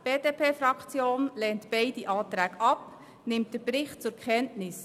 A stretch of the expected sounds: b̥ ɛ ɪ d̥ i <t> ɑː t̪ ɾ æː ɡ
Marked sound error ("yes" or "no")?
yes